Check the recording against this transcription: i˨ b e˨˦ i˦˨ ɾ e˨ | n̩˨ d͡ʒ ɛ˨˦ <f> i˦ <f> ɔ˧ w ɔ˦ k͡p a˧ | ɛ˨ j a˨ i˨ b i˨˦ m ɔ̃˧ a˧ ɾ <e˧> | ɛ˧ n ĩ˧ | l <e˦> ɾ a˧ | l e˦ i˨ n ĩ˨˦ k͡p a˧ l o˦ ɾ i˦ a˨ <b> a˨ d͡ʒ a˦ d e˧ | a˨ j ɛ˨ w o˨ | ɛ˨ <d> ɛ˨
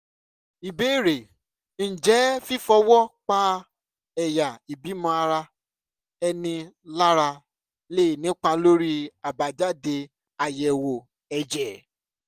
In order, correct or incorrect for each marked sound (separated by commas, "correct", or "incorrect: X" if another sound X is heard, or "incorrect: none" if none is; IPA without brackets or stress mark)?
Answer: correct, correct, incorrect: a˧, incorrect: a˦, correct, incorrect: d͡ʒ